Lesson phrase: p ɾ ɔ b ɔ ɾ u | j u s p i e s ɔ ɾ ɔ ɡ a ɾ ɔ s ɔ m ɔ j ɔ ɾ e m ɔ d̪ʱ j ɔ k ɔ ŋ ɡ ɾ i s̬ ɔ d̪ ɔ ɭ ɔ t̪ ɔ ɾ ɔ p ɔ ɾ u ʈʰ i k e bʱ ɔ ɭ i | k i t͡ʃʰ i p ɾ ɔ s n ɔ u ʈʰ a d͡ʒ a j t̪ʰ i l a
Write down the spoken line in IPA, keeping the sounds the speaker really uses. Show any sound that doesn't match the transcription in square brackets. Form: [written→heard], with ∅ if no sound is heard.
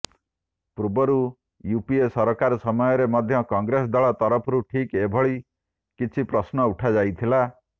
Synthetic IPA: p ɾ [ɔ→u] b ɔ ɾ u | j u [s→∅] p i e s ɔ ɾ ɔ [ɡ→k] a ɾ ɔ s ɔ m ɔ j ɔ ɾ e m ɔ d̪ʱ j ɔ k ɔ ŋ ɡ ɾ [i→e] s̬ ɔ d̪ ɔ ɭ ɔ t̪ ɔ ɾ ɔ [p→pʰ] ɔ ɾ u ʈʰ i k e bʱ ɔ ɭ i | k i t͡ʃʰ i p ɾ ɔ s n ɔ u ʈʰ a d͡ʒ a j t̪ʰ i l a